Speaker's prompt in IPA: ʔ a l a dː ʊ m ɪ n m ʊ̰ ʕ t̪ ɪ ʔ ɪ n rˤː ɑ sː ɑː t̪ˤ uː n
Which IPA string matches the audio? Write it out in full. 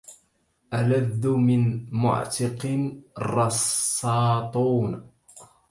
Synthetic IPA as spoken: ʔ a l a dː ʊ m ɪ n m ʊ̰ ʕ t̪ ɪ q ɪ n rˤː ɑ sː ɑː t̪ˤ uː n